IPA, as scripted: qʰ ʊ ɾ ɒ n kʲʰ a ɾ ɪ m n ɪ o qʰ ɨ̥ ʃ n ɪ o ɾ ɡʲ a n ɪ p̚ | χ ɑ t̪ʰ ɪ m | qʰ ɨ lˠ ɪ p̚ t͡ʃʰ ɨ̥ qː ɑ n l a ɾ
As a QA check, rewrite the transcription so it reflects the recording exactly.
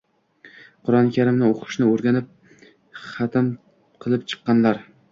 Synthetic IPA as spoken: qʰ ʊ ɾ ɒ n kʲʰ a ɾ ɪ m n ɪ o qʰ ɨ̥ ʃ n ɪ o ɾ ɡʲ a n ɪ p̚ | χ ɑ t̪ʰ ɪ m | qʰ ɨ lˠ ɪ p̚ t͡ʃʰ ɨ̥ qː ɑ n l a ɾ